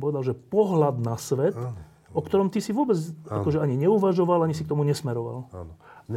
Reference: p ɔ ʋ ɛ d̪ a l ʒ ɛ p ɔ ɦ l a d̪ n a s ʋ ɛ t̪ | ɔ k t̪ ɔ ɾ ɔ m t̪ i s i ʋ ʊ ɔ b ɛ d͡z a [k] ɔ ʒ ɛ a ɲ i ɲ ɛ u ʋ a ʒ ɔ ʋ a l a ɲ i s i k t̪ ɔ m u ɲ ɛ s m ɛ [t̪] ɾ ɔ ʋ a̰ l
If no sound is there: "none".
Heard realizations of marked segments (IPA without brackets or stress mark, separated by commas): k, none